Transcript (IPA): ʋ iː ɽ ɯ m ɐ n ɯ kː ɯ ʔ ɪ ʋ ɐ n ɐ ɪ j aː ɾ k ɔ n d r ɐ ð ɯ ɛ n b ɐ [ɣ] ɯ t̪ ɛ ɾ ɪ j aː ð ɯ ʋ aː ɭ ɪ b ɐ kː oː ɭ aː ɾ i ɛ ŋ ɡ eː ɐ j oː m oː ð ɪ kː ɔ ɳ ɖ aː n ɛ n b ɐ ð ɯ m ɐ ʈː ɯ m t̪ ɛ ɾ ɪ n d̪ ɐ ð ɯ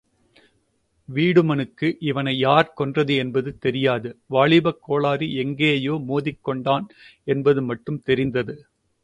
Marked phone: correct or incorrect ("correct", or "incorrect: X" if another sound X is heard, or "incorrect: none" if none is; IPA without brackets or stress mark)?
incorrect: ð